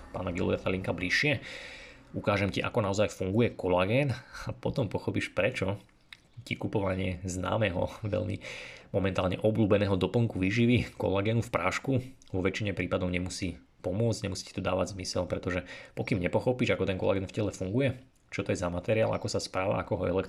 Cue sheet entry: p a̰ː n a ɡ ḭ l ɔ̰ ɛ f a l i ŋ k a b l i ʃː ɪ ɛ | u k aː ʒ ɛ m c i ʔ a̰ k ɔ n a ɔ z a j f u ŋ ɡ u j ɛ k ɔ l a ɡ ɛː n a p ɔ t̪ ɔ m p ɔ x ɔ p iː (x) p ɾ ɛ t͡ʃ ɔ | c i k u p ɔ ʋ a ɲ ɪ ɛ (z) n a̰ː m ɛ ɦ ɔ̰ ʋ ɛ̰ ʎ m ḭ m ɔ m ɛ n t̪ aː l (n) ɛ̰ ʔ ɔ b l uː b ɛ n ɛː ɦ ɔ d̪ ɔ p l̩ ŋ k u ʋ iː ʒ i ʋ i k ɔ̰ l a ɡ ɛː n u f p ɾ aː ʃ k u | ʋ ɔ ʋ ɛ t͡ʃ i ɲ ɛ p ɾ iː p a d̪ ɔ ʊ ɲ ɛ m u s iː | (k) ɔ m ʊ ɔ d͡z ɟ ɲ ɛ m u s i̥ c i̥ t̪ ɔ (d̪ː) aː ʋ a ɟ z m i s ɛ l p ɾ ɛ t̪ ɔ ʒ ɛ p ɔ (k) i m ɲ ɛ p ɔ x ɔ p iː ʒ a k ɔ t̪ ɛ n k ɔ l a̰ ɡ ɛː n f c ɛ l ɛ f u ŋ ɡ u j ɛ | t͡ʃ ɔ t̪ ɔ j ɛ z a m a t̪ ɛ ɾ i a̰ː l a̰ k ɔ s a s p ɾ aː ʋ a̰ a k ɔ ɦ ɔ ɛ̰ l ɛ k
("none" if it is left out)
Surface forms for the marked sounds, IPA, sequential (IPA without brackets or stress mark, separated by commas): ʃ, z, ɲ, p, d̪, k